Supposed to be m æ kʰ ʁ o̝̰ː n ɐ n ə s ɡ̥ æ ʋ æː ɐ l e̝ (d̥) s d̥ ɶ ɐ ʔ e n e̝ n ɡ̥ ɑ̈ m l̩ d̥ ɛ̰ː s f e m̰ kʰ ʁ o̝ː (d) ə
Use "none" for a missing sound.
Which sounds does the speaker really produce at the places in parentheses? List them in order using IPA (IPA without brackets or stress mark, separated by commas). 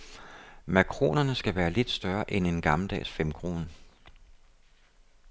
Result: d̥, n